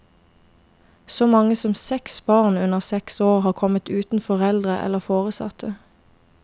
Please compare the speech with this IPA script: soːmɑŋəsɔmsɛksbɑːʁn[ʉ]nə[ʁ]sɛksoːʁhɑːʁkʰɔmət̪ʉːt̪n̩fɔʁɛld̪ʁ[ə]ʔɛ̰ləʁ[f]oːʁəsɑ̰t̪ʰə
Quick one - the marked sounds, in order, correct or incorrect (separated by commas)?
correct, correct, correct, correct